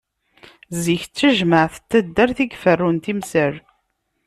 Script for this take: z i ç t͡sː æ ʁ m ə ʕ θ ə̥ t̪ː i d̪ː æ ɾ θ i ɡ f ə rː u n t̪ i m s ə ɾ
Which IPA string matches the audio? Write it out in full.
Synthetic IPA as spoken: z i ç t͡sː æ ʒ m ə ʕ θ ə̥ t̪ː æ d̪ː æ ɾ θ i ɡ f ə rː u n t̪ i m s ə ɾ